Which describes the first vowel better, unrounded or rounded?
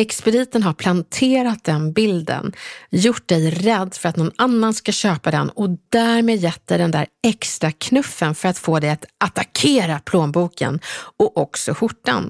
unrounded